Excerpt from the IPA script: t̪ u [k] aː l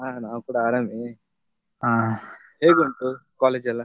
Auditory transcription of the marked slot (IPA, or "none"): k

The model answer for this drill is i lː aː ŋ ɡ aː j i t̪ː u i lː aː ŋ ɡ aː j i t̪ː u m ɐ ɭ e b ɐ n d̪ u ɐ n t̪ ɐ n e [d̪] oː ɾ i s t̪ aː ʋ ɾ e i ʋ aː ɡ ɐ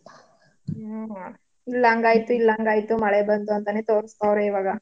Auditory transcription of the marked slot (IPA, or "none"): t̪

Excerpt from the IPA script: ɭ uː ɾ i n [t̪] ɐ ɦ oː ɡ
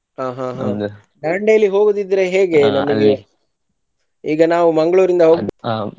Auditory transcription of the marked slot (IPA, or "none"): d̪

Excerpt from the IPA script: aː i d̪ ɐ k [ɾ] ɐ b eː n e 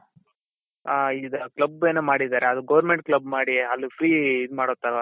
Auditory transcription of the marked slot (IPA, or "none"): l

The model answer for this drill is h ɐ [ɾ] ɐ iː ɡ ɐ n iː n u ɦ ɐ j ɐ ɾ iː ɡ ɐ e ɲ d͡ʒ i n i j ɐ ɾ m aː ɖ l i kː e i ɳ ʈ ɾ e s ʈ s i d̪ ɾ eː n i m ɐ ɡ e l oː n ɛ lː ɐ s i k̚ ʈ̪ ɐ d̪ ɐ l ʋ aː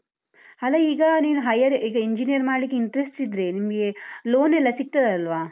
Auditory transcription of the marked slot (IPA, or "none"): l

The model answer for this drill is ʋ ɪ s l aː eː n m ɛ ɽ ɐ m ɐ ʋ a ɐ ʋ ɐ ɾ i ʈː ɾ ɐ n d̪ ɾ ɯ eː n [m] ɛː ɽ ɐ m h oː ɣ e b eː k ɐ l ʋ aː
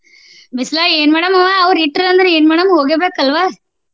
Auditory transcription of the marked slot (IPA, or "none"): m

